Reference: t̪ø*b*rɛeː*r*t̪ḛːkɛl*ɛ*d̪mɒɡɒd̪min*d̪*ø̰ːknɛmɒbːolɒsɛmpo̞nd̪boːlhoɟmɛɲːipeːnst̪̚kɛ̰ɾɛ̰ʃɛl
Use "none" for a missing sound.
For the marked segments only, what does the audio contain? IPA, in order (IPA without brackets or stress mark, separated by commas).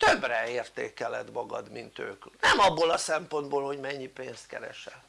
b, r, ɛ, t̪